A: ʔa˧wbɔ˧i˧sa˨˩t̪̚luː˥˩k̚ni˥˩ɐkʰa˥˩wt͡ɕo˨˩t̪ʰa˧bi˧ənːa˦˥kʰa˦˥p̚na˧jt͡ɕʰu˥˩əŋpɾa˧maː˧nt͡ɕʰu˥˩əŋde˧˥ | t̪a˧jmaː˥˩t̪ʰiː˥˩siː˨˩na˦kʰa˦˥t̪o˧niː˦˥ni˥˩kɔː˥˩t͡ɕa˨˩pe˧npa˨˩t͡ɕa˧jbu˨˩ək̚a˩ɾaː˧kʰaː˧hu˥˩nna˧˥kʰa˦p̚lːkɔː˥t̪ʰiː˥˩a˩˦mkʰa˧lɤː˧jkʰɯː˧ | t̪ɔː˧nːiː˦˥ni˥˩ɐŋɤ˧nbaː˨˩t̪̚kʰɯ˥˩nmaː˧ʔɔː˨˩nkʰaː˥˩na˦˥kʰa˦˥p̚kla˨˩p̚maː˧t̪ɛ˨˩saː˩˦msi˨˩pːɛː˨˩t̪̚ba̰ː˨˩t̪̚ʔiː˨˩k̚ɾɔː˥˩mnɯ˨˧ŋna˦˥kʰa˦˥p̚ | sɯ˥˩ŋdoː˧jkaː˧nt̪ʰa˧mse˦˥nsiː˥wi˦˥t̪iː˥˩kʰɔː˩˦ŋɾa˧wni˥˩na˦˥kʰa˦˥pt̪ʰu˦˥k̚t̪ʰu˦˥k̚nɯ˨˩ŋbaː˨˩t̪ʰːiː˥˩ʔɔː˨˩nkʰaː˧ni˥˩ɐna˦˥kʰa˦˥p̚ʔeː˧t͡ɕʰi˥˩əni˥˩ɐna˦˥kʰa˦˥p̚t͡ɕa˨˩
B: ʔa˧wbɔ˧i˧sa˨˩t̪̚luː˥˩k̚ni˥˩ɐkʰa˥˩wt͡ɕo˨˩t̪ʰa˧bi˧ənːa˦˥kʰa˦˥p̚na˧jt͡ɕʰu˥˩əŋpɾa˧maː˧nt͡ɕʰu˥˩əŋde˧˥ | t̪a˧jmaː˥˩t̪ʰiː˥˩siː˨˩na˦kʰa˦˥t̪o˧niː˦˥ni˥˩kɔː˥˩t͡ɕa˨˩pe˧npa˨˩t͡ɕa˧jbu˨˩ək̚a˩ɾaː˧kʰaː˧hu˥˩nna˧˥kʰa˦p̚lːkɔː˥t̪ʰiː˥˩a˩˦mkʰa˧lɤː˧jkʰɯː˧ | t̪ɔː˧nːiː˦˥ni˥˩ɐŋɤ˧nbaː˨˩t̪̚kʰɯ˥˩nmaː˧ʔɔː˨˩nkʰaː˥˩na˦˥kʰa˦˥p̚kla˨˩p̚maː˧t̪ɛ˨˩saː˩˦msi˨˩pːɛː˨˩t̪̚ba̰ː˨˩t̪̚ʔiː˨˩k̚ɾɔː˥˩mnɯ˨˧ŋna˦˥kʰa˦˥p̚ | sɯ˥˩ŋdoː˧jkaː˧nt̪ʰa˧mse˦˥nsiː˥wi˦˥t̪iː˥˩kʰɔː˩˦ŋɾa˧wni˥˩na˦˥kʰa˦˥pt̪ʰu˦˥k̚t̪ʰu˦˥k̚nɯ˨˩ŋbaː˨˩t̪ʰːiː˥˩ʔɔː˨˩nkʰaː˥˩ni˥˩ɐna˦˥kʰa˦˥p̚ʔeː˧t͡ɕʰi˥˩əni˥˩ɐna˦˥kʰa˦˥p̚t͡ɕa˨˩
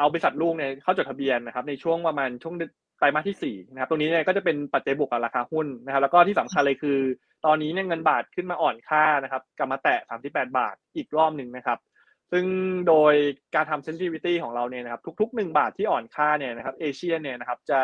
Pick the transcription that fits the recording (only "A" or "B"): B